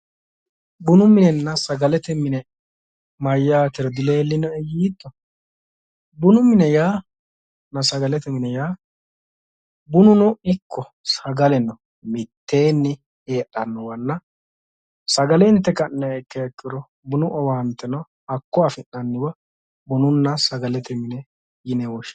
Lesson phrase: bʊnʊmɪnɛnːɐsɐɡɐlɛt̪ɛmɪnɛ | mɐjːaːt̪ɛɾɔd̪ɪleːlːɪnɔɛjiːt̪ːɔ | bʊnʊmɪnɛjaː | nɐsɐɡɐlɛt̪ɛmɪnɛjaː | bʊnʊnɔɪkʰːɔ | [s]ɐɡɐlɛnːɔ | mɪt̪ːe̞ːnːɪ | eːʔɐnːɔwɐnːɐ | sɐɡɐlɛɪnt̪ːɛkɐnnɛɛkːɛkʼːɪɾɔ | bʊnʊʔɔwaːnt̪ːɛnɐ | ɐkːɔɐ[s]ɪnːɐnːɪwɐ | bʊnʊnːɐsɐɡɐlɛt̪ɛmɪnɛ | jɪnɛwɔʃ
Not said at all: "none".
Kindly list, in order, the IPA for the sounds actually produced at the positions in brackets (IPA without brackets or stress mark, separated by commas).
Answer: s, f